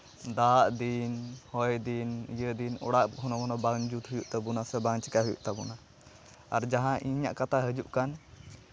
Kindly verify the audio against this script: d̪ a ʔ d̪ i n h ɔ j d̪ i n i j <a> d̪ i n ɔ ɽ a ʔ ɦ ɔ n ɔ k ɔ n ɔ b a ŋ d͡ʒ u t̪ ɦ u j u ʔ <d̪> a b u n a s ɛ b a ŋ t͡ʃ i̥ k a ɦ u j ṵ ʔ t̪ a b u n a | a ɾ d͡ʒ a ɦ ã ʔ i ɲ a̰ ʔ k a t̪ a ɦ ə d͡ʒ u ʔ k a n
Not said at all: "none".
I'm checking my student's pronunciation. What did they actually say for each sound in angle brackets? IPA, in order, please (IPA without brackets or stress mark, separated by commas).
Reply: ə, t̪